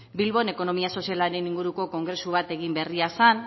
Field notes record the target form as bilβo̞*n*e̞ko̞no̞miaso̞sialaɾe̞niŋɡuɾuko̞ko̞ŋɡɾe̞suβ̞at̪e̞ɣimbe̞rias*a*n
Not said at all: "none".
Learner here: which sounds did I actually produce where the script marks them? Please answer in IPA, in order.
n, a

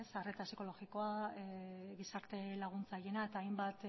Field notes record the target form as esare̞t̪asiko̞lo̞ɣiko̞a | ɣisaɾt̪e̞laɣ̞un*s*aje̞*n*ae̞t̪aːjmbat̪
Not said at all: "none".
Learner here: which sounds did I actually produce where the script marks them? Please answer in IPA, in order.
t͡s, n

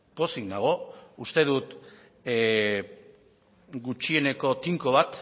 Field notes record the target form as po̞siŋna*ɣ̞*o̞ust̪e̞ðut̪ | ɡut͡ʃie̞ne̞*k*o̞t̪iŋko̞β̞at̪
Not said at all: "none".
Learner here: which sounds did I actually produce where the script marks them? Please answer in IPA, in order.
ɣ̞, k

